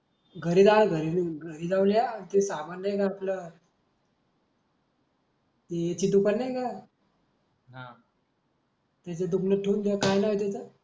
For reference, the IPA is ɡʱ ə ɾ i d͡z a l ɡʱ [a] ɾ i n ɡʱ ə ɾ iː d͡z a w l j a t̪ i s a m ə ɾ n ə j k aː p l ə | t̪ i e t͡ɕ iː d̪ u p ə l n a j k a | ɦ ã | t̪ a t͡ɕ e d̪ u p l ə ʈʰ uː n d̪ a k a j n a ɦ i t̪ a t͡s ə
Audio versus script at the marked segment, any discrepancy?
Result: yes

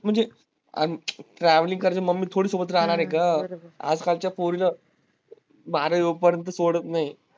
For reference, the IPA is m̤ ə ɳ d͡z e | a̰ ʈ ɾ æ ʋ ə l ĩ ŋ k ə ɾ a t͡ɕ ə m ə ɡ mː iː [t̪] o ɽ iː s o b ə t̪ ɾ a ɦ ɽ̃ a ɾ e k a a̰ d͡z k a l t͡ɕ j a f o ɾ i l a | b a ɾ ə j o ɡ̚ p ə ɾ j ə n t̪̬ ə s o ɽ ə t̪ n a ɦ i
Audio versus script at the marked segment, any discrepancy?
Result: yes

